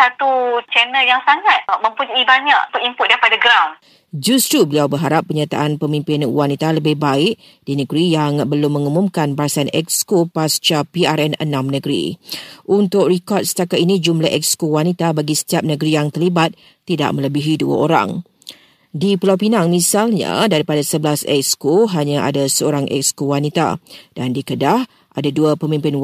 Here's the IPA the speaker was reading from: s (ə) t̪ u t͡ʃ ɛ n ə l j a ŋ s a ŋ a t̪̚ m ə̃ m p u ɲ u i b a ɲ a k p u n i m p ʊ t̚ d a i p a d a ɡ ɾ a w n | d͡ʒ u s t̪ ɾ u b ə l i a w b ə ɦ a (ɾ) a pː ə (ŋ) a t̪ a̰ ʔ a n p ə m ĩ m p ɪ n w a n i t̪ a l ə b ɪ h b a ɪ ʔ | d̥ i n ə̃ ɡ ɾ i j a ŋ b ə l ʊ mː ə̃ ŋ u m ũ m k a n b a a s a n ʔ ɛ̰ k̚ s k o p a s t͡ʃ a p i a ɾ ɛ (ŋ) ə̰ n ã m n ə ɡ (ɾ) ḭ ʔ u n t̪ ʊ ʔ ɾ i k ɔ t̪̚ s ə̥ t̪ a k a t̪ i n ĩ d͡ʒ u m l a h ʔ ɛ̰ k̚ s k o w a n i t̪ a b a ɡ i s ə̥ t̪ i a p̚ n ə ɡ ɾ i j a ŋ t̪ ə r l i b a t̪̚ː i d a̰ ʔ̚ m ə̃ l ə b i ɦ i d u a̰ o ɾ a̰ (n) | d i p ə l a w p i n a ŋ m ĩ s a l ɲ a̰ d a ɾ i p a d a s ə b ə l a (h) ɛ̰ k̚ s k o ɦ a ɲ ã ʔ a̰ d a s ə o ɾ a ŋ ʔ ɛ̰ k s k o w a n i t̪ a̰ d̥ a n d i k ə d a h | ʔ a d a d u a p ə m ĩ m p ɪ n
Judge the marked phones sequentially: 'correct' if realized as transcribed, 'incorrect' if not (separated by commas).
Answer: incorrect, correct, incorrect, incorrect, correct, incorrect, incorrect